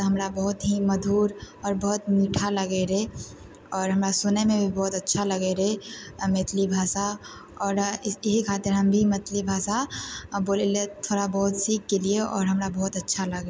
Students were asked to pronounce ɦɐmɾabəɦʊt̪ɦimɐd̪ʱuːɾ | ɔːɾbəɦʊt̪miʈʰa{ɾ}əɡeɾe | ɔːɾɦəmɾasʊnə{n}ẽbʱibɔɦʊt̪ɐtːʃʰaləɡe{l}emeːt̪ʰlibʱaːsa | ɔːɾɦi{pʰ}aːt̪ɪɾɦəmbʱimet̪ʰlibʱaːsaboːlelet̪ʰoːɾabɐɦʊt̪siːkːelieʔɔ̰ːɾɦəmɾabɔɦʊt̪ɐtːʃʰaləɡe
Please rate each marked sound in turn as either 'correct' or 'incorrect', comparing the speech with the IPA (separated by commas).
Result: incorrect, incorrect, incorrect, incorrect